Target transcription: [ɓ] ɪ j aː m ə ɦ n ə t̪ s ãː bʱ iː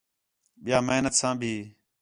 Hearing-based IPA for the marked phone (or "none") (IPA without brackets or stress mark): ɓ